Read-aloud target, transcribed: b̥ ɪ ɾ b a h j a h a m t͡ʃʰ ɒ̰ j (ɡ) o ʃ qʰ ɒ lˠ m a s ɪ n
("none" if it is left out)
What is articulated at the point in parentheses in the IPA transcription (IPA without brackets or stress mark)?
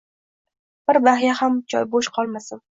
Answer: b